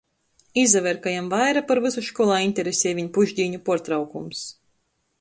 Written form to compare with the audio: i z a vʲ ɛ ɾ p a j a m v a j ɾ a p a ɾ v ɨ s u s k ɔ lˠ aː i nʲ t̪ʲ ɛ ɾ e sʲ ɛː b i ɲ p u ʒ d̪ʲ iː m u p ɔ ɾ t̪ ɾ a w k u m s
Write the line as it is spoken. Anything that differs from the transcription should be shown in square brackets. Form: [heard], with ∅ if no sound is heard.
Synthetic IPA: i z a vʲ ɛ ɾ [k] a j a m v a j ɾ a p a ɾ v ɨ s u [ʃ] k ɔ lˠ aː i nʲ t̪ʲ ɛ ɾ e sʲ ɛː [v] i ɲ p u ʒ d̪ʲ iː [ɲ] u p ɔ ɾ t̪ ɾ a w k u m s